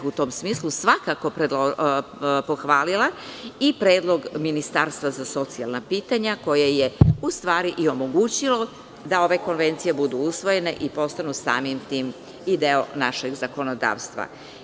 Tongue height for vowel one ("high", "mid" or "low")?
high